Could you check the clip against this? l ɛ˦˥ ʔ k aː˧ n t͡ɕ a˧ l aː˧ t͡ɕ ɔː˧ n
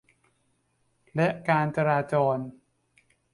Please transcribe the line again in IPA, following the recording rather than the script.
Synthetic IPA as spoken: l ɛ˦˥ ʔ k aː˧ n t͡ɕ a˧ ɾ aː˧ t͡ɕ ɔː˧ n